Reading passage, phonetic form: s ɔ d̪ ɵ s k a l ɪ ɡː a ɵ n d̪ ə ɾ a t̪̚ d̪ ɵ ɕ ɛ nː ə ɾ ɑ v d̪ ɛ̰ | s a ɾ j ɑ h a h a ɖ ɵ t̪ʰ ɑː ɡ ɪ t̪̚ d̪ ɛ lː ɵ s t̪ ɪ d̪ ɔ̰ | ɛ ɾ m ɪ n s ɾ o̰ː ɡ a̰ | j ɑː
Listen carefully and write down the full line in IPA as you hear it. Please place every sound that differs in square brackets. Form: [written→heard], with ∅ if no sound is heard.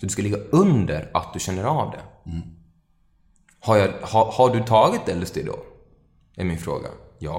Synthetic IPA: s ɔ d̪ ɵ s k a l ɪ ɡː a ɵ n d̪ ə ɾ a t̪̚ d̪ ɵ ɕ ɛ nː ə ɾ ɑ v d̪ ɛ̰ | [s→h] a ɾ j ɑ h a h a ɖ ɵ t̪ʰ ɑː ɡ ɪ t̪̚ d̪ ɛ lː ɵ s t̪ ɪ d̪ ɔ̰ | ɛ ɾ m ɪ n [s→f] ɾ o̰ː ɡ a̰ | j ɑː